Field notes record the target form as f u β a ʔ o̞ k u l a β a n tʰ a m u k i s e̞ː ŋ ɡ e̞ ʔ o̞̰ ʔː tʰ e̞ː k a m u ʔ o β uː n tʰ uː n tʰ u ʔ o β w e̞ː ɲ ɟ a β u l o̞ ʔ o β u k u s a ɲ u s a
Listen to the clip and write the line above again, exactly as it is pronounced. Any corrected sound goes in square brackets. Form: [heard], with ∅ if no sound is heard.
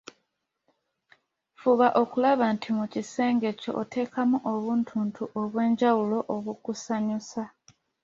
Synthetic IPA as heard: f u β a ʔ o̞ k u l a β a n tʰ [i] m u [c] i s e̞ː ŋ ɡ e̞ [c] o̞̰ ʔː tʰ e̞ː k a m u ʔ o β uː n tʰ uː n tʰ u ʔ o β w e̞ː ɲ ɟ a [w] u l o̞ ʔ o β u k u s a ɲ u s a